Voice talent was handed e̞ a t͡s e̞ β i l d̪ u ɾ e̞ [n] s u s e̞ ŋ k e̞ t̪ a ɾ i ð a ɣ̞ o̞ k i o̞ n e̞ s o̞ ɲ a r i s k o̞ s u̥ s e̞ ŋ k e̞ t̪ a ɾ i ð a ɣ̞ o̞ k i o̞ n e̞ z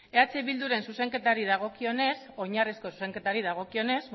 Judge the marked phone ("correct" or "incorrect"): correct